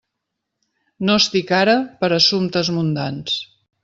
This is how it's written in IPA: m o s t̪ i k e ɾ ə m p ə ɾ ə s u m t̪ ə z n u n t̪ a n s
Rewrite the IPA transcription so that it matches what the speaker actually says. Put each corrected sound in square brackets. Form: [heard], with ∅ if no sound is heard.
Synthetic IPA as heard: [n] o s t̪ i k [a] ɾ ə [∅] p ə ɾ ə s u m t̪ ə z [m] u n [d̪] a n s